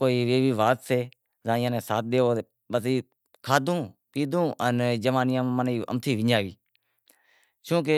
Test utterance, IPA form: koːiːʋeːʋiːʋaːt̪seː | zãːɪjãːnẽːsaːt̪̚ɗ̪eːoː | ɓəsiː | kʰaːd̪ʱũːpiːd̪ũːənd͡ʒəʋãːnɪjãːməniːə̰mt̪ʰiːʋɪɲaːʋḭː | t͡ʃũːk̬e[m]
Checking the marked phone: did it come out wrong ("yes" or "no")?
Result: yes